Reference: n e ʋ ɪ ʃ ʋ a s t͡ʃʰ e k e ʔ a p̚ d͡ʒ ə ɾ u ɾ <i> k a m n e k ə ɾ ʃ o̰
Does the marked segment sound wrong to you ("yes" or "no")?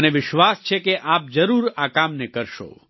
yes